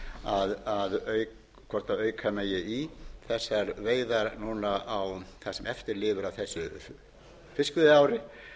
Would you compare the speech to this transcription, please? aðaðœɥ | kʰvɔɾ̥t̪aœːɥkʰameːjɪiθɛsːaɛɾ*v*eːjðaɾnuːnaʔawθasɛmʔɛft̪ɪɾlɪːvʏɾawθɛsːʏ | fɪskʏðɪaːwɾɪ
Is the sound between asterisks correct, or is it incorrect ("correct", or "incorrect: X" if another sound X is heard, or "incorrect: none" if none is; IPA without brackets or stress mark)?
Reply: correct